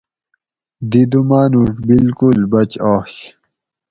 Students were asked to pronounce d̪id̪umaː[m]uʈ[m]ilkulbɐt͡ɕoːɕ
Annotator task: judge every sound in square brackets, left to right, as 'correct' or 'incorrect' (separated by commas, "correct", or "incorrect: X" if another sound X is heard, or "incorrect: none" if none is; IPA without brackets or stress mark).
incorrect: n, incorrect: b